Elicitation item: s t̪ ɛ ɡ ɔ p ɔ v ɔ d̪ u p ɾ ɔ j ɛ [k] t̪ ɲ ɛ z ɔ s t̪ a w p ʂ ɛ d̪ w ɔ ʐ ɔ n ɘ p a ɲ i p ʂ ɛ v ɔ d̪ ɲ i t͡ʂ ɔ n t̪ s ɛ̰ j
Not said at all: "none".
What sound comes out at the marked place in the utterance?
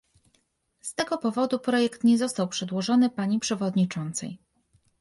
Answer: k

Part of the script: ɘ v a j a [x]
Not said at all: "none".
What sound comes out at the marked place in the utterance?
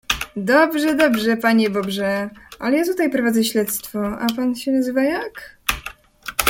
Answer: k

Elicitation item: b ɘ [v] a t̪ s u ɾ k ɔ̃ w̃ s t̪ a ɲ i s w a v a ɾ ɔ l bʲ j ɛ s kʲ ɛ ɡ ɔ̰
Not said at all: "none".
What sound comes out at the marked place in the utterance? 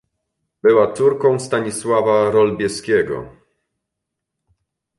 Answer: w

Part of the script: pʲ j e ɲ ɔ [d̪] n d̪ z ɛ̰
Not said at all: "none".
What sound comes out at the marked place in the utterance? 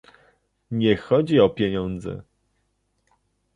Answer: none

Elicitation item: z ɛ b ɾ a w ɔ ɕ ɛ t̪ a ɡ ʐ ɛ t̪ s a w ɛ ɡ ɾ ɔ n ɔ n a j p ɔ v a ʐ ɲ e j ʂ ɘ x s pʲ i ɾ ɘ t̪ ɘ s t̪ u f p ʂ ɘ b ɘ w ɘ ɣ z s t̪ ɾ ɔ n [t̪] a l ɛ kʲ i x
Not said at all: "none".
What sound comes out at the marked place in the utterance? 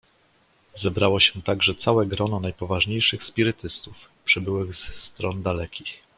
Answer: d̪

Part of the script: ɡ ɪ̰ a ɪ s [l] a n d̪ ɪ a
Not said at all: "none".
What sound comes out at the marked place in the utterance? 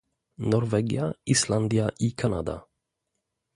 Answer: l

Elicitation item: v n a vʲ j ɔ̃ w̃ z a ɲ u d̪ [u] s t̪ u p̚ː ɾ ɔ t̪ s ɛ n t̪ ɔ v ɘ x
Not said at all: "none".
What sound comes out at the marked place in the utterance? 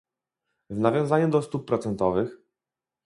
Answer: ɔ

